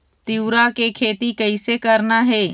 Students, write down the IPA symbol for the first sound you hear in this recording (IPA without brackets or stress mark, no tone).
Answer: t̪